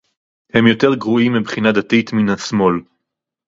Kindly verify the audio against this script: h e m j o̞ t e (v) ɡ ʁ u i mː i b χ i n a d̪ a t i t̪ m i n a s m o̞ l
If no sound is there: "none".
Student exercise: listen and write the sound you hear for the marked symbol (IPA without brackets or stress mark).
ʁ